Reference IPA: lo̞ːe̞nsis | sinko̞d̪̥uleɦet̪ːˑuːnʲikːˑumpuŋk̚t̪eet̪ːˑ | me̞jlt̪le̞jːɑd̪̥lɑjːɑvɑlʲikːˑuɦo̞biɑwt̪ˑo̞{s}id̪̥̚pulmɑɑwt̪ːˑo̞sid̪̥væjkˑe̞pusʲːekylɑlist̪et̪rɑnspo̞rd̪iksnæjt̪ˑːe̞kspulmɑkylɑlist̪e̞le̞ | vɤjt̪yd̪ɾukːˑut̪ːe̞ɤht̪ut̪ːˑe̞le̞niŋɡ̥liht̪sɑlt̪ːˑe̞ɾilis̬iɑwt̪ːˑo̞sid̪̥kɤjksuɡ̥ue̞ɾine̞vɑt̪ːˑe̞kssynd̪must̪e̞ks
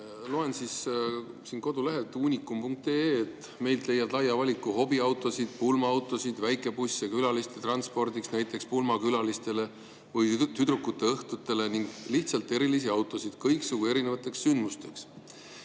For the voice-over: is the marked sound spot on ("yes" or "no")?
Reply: yes